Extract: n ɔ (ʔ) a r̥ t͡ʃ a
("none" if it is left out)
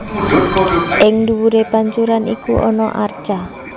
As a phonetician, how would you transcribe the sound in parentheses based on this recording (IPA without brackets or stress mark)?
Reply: ʔ